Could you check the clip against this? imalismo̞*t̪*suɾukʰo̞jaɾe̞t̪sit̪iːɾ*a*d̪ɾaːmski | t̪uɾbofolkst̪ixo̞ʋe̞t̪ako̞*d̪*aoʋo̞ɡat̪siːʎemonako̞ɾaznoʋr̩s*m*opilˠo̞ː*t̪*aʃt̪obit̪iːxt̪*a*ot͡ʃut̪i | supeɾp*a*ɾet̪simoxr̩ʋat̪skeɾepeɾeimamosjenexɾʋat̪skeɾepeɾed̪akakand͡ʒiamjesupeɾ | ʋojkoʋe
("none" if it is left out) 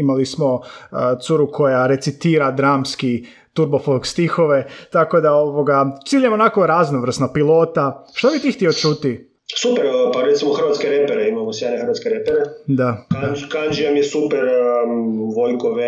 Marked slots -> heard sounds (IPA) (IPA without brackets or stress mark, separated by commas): t̪, a, d̪, n, t̪, i, a